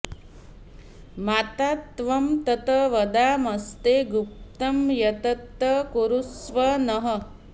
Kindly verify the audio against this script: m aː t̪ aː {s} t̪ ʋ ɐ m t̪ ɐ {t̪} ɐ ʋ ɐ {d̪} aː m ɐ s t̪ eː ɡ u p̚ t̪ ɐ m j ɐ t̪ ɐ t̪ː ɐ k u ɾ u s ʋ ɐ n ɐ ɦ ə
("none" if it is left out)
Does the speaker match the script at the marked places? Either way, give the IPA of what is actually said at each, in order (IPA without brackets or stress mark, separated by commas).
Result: none, t̪, d̪